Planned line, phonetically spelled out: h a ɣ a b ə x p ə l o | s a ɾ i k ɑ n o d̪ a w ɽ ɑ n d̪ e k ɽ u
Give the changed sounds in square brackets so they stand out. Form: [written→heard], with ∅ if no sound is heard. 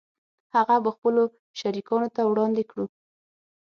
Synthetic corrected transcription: h a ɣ a b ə x p ə l o | [s→ʃ] a ɾ i k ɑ n o [d̪→t̪] a w ɽ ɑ n d̪ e k ɽ u